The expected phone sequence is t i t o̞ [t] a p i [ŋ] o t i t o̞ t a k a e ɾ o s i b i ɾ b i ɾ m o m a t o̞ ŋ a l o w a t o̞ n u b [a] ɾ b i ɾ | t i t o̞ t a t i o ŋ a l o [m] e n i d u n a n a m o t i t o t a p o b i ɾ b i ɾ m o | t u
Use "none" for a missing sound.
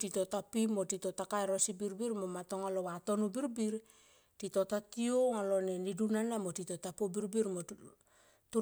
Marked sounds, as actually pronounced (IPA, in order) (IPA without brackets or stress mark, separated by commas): t, m, i, n